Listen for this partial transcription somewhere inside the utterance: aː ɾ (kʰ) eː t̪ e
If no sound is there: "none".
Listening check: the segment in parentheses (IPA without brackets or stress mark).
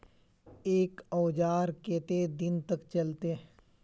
k